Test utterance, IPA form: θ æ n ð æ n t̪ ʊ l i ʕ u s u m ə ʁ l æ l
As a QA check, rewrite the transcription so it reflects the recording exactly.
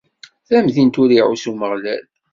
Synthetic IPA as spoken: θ æ m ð i n t̪ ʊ ɾ i ʕ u s u m ə ʁ l æ l